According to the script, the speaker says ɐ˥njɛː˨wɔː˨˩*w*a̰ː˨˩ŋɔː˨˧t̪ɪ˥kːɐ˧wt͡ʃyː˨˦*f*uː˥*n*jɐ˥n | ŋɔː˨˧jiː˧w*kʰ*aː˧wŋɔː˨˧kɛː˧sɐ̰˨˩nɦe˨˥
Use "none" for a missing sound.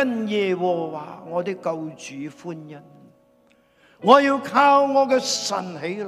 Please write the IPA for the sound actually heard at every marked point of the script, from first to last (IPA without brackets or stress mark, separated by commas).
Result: w, f, n, kʰ